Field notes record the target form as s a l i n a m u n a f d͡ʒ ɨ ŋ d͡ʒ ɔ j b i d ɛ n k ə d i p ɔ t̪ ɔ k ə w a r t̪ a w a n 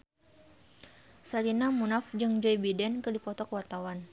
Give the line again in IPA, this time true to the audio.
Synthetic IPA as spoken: s a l i n a m u n a f d͡ʒ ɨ ŋ d͡ʒ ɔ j b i d ɛ n k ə d i p ɔ t̪ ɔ k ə w a r t̪ a w a n